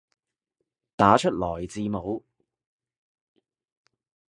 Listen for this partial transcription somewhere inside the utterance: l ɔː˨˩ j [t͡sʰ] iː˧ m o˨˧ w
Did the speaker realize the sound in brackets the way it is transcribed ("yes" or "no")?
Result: no